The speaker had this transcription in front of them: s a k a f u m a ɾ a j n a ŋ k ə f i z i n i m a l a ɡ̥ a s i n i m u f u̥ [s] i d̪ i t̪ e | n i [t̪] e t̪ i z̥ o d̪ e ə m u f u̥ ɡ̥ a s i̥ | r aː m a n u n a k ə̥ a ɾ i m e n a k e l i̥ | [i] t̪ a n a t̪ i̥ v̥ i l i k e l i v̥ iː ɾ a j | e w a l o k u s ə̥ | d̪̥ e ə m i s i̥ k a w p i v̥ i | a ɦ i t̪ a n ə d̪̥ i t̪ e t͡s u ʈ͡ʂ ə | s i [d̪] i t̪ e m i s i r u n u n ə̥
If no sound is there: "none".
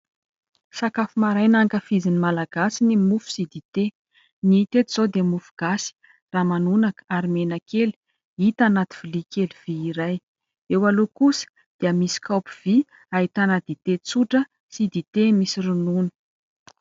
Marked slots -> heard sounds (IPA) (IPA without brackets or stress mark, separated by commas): s, t̪, i, d̪